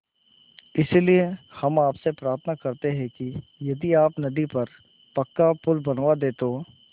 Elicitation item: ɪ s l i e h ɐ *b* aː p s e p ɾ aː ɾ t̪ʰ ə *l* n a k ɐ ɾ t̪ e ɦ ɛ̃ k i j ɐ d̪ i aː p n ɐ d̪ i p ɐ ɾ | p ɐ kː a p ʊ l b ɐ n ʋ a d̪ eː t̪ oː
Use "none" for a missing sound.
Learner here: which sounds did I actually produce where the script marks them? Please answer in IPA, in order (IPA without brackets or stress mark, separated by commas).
m, none